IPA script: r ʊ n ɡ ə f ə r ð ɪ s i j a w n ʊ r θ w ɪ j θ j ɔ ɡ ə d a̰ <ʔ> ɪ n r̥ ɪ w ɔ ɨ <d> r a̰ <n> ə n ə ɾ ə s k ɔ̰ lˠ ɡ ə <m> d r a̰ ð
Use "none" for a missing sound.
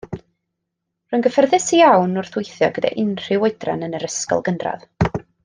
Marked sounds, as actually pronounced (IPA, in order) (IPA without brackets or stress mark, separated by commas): ʔ, d, n, n